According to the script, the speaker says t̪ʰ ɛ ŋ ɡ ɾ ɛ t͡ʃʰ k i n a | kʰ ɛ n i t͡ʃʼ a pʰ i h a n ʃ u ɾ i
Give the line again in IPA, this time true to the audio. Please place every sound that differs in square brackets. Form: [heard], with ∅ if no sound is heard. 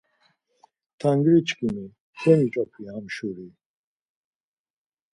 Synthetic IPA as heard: t̪ʰ [a] ŋ ɡ ɾ [i] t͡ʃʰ k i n [i] | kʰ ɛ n i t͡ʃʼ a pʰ i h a [m] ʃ u ɾ i